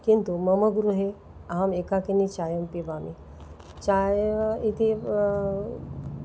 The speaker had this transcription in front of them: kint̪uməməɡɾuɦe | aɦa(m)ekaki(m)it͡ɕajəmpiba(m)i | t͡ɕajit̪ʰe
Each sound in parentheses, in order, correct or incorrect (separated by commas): correct, incorrect, correct